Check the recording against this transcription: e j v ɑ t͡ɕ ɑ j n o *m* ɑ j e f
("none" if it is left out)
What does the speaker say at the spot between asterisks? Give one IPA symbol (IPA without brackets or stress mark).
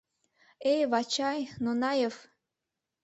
n